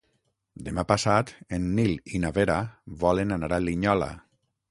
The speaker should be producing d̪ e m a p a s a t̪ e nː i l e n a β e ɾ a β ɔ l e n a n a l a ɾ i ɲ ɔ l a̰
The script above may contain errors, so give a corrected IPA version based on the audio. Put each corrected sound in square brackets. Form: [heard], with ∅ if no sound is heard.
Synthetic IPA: d̪ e m a p a s a t̪ e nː i l [i] n a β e ɾ a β ɔ l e n a n a [ɾ] a [l] i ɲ ɔ l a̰